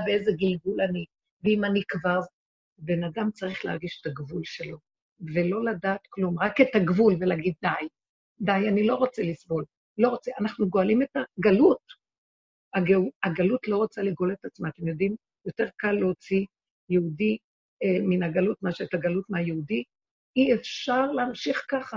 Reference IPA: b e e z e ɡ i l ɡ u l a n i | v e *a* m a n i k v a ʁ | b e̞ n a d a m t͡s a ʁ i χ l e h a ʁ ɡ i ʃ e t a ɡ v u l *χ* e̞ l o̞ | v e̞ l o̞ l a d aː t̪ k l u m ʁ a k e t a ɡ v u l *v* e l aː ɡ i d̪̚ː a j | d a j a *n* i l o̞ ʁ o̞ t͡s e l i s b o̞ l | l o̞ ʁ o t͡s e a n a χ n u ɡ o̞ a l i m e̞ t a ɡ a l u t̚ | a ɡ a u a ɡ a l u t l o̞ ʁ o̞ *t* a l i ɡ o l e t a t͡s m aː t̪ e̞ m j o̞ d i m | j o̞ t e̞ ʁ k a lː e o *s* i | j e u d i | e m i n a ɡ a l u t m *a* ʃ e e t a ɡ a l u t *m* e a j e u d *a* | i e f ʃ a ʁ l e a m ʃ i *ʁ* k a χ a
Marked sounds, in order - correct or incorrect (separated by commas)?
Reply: incorrect, incorrect, correct, correct, incorrect, incorrect, correct, correct, incorrect, incorrect